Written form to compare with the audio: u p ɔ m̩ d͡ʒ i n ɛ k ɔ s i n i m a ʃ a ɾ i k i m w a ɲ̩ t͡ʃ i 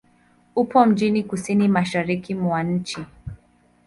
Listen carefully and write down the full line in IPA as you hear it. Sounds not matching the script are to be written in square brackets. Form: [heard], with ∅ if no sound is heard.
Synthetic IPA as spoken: u p ɔ m̩ d͡ʒ i n [i] k [u] s i n i m a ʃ a ɾ i k i m w a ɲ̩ t͡ʃ i